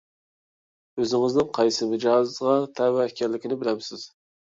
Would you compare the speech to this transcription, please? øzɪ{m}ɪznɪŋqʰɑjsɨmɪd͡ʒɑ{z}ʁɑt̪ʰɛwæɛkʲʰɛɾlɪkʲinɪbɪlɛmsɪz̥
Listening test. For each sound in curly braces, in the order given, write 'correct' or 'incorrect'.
incorrect: ŋ, correct

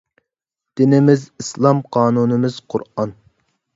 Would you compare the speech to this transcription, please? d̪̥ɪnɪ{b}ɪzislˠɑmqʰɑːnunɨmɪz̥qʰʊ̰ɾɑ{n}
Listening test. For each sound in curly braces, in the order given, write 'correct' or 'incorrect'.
incorrect: m, correct

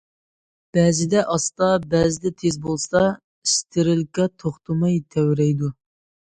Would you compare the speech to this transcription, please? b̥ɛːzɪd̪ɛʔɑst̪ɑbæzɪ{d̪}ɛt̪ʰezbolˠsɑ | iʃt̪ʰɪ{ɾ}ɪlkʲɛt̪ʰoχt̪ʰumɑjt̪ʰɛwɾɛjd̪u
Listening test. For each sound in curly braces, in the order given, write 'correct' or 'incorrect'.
correct, correct

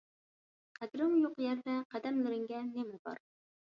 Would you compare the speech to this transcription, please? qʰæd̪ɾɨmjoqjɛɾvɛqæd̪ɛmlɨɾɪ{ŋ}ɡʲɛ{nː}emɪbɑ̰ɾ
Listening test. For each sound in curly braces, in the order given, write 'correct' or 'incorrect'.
correct, incorrect: n

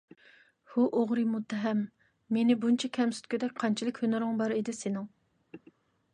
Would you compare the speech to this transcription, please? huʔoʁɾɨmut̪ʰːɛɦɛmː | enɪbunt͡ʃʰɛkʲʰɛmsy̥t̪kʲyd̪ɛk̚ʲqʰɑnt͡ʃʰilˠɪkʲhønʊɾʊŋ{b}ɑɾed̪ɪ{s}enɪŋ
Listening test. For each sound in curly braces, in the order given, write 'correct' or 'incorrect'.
correct, correct

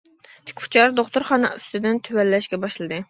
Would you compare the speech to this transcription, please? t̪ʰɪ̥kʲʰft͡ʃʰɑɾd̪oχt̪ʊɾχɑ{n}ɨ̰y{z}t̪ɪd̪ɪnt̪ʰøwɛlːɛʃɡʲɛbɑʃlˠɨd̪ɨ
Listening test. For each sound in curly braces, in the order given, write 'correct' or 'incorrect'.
correct, incorrect: s

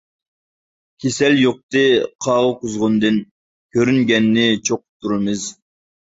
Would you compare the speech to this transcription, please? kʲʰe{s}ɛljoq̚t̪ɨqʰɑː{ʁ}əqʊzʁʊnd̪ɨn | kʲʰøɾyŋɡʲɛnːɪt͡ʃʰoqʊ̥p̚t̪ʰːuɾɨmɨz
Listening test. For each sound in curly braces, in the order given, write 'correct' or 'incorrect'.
correct, correct

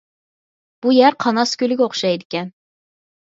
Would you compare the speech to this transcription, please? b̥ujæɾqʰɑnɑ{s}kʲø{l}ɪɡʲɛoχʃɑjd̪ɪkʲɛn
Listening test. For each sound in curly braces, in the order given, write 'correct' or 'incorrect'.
correct, correct

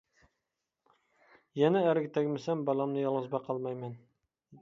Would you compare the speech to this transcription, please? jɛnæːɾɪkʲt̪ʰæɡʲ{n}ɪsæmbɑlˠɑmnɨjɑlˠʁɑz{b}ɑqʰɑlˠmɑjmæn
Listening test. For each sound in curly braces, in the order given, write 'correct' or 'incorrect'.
incorrect: m, correct

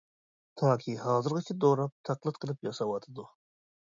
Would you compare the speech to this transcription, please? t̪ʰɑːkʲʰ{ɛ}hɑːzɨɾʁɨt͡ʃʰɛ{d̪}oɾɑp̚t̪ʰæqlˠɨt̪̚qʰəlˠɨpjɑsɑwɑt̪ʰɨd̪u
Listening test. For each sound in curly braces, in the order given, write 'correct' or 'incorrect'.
incorrect: i, correct

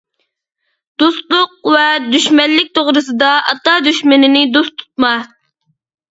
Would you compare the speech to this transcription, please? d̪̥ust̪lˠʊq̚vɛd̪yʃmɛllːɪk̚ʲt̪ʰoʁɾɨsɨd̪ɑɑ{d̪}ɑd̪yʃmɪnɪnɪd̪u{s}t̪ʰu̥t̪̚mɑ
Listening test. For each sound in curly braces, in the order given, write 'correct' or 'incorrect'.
incorrect: t̪, correct

